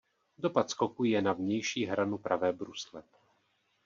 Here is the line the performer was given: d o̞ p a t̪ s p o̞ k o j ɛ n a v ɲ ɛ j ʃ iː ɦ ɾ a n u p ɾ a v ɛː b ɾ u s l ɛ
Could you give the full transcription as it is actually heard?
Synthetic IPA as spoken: d o̞ p a t̪ s k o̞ k u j ɛ n a v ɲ ɛ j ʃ iː ɦ ɾ a n u p ɾ a v ɛː b ɾ u s l ɛ